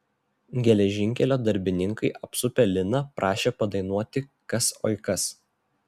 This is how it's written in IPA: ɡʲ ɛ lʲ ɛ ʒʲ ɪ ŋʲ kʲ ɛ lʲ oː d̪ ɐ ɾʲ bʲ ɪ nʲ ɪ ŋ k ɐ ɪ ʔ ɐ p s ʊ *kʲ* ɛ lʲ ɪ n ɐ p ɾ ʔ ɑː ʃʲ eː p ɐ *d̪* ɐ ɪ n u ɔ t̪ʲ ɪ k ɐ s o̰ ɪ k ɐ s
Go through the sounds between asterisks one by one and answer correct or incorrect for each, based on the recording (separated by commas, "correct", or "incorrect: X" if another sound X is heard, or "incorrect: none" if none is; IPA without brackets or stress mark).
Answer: incorrect: pʲ, correct